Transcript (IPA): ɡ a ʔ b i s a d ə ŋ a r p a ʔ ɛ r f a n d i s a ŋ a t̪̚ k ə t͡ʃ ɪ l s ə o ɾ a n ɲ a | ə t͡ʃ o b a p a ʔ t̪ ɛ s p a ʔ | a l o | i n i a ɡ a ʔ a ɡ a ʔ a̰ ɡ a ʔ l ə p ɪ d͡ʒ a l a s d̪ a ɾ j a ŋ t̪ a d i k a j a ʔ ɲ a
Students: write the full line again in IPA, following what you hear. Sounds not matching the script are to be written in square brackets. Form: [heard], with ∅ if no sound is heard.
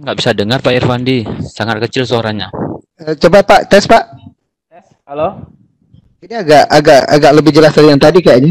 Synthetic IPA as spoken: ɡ a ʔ b i s a d ə ŋ a r p a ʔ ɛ r f a n d i s a ŋ a t̪̚ k ə t͡ʃ ɪ l s ə o ɾ a [ŋ] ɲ a | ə t͡ʃ o b a p a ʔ t̪ ɛ s p a ʔ | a l o | i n i a ɡ a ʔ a ɡ a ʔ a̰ ɡ a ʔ l ə [b] ɪ d͡ʒ [ə] l a s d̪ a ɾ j a ŋ t̪ a d i k a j a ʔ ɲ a